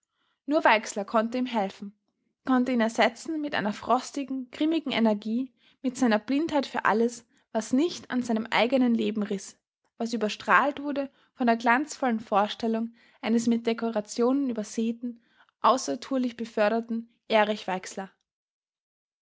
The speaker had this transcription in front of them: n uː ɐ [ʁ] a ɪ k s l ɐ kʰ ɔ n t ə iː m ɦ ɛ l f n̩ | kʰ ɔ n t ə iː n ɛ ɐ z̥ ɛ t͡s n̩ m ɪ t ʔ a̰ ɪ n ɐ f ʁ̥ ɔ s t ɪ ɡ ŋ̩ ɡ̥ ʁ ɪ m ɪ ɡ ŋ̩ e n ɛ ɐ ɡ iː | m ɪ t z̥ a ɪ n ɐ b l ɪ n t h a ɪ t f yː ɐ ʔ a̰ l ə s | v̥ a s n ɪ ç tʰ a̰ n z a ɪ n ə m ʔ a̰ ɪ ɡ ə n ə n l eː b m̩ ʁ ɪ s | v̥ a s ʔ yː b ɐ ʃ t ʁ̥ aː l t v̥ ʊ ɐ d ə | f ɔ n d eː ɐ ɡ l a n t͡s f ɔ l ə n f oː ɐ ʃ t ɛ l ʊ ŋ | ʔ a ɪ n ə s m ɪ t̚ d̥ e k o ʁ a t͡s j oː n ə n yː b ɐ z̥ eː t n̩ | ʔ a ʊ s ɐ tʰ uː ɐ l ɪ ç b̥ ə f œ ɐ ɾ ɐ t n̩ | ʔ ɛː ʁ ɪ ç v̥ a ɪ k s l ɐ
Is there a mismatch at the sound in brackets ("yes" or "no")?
yes